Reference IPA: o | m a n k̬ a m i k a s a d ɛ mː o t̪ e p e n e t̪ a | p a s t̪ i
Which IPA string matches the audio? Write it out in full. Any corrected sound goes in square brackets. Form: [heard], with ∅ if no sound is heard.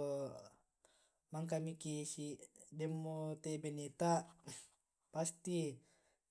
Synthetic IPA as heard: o | m a [ŋ] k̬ a m i k [i] s [i] d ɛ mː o t̪ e [b] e n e t̪ a | p a s t̪ i